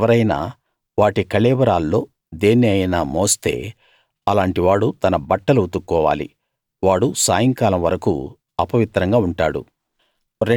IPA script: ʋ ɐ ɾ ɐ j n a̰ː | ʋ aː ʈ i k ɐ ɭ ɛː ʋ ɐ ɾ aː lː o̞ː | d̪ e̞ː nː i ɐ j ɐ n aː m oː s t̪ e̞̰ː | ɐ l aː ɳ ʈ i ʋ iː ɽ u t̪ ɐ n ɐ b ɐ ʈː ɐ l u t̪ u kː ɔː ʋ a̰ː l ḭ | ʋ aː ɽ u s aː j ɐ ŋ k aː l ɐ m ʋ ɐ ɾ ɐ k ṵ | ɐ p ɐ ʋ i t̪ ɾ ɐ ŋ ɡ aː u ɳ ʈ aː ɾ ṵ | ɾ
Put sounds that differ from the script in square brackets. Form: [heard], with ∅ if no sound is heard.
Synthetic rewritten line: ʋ ɐ ɾ ɐ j n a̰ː | ʋ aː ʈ i k ɐ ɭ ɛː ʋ ɐ ɾ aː lː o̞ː | d̪ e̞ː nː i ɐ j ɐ n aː m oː s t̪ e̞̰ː | ɐ l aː ɳ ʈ i ʋ [aː] ɽ u t̪ ɐ n ɐ b ɐ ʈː ɐ l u t̪ u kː ɔː ʋ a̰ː l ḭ | ʋ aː ɽ u s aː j ɐ ŋ k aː l ɐ m ʋ ɐ ɾ ɐ k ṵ | ɐ p ɐ ʋ i t̪ ɾ ɐ ŋ ɡ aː u ɳ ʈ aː [ɽ] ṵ | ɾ